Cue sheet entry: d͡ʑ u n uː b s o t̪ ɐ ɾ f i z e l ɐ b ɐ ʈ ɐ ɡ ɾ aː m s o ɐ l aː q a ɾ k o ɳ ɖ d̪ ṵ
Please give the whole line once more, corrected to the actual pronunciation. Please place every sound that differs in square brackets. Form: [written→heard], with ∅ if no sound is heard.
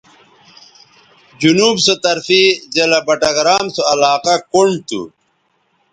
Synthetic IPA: d͡ʑ u n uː b s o t̪ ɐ ɾ f i z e l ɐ b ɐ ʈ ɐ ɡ ɾ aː m s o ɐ l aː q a [ɾ→∅] k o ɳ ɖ [d̪→t̪] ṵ